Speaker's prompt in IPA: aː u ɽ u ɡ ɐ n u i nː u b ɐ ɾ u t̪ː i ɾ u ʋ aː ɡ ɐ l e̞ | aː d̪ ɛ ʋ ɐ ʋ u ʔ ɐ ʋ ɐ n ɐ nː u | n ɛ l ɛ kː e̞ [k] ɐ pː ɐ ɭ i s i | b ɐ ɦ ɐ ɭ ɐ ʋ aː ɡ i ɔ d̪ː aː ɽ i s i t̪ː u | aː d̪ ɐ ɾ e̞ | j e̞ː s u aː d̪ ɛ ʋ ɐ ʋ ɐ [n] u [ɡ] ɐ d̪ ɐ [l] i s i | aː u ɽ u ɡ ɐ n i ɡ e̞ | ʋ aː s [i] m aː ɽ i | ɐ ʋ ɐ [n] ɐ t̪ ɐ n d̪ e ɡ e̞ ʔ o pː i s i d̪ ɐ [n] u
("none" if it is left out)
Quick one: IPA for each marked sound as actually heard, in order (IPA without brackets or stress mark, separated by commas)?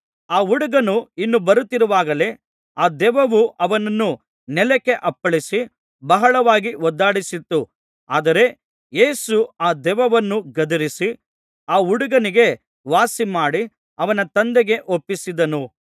ʔ, nː, ɡ, ɾ, i, n, n